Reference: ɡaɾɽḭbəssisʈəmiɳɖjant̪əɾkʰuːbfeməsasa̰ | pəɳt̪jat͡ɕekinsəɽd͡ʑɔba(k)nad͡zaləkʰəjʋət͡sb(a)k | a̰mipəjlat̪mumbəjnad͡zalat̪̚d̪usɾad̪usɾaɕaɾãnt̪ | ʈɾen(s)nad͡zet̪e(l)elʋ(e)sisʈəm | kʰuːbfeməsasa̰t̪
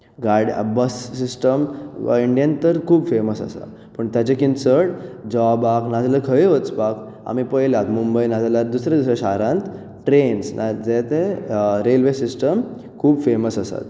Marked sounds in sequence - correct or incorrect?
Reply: correct, correct, correct, incorrect, correct

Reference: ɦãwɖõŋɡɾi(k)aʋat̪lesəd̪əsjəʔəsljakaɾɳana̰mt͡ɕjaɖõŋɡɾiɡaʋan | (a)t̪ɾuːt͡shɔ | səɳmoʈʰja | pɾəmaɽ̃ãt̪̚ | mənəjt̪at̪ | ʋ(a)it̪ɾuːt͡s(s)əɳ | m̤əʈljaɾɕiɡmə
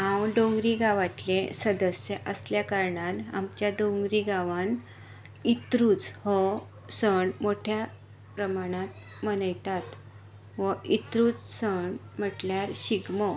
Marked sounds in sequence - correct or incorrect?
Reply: incorrect, incorrect, incorrect, correct

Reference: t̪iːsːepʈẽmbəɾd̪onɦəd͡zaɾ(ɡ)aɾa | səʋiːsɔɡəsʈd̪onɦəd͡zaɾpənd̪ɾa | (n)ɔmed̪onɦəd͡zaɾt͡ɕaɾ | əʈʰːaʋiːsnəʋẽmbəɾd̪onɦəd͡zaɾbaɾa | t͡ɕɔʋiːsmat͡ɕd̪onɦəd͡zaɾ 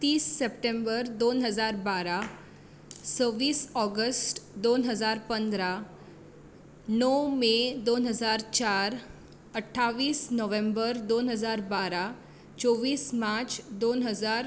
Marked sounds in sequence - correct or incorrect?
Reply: incorrect, correct

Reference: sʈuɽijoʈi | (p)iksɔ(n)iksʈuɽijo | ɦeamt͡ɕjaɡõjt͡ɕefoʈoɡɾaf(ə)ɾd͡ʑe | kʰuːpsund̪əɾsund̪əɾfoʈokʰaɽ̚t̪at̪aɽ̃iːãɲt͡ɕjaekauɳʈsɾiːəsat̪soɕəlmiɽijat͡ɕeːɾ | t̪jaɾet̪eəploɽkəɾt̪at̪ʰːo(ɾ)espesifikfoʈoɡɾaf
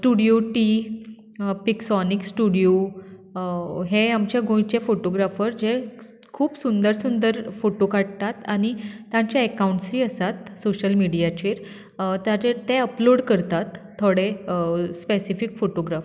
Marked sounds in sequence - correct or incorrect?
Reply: correct, correct, correct, incorrect

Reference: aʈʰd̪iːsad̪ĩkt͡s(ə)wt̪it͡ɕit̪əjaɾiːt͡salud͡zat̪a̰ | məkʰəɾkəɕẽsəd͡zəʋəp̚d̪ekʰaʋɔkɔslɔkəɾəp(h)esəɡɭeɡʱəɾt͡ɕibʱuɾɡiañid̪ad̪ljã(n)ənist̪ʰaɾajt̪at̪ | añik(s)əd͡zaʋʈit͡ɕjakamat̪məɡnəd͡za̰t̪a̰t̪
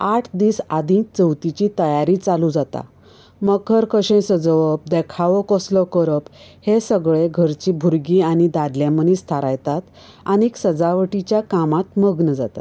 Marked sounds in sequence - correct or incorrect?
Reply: correct, correct, incorrect, correct

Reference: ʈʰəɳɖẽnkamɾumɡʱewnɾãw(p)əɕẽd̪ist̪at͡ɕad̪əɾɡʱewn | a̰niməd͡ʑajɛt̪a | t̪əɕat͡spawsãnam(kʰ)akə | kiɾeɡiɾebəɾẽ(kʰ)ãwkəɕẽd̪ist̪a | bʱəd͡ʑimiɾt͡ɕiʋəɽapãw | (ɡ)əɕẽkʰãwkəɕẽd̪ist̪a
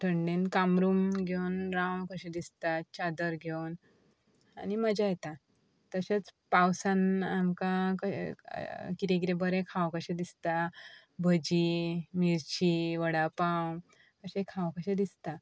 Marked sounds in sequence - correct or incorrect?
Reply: incorrect, incorrect, correct, incorrect

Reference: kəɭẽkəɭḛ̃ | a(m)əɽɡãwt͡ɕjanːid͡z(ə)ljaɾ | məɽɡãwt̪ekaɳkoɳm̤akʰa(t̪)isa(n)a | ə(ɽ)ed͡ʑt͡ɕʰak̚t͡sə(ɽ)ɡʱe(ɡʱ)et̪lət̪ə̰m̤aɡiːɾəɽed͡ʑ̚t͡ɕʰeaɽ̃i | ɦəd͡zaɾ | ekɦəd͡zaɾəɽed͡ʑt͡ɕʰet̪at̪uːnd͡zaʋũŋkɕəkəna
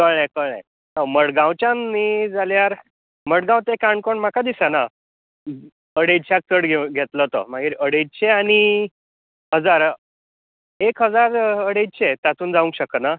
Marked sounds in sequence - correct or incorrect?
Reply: correct, incorrect, incorrect, correct, correct, correct, correct

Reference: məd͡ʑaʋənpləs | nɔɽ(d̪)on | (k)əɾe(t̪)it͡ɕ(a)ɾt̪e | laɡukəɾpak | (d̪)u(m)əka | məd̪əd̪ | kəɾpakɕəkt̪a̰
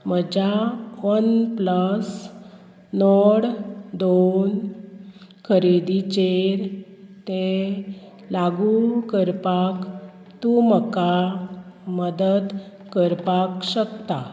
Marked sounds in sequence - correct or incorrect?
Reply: correct, incorrect, incorrect, incorrect, incorrect, correct

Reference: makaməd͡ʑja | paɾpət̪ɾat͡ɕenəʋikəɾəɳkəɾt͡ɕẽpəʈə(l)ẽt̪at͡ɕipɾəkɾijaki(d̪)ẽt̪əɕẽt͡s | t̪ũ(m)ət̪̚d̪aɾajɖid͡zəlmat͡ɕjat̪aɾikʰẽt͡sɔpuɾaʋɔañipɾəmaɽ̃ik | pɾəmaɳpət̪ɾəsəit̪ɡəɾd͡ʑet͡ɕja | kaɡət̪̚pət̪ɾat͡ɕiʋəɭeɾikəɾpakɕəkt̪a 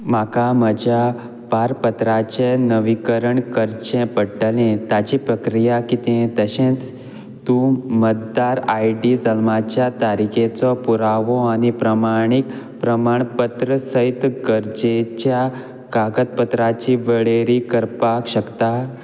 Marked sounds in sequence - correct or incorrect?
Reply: correct, incorrect, correct

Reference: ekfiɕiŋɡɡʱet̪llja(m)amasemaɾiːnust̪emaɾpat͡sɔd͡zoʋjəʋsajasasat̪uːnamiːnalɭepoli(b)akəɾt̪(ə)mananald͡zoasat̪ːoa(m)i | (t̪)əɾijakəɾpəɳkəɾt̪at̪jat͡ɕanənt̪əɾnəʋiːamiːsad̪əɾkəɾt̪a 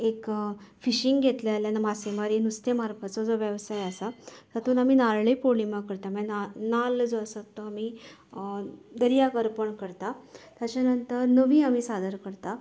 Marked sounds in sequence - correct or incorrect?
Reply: incorrect, incorrect, incorrect, correct, incorrect

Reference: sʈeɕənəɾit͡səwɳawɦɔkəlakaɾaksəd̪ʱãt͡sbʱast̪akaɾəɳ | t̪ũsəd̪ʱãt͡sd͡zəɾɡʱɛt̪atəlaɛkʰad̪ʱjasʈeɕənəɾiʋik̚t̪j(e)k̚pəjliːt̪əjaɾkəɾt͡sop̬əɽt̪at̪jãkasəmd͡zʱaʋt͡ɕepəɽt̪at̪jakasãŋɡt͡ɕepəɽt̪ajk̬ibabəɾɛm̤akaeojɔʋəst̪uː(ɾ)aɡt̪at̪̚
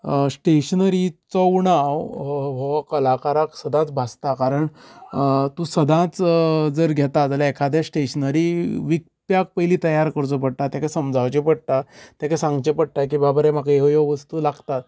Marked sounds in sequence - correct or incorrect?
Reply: incorrect, incorrect

